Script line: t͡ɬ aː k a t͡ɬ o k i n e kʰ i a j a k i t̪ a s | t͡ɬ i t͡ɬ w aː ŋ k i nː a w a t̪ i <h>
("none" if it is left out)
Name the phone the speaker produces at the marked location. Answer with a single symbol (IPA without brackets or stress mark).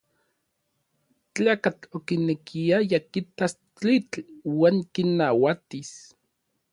s